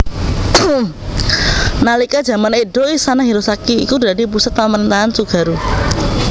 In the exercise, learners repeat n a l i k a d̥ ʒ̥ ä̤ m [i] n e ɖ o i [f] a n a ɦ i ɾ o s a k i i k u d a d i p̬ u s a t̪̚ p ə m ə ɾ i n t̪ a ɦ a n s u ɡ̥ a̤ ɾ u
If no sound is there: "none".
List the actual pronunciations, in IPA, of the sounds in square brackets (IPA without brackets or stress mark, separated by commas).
a, s